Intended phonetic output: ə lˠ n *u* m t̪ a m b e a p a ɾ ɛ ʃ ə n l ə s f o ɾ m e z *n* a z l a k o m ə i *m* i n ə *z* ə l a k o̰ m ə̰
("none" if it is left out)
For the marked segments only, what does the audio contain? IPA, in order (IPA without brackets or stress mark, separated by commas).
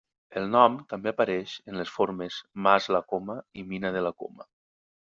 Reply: ɔ, m, m, ð